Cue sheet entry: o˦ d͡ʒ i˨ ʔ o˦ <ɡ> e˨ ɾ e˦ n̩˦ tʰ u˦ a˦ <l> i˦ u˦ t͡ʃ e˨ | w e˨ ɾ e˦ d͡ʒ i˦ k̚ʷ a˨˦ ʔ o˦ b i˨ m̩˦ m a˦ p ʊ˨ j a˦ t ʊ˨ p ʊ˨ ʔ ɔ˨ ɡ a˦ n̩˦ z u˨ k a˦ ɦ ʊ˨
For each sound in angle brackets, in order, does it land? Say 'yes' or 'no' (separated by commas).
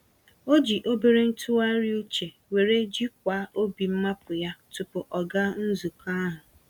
no, no